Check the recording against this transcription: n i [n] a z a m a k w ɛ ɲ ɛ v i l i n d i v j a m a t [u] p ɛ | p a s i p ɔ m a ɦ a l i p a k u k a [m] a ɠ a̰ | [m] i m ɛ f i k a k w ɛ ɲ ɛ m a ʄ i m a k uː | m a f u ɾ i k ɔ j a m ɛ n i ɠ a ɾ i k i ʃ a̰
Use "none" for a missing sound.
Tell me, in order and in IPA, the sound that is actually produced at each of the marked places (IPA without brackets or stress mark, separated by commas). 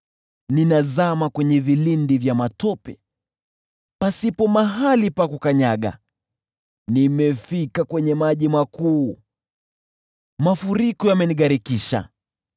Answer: n, ɔ, ɲ, n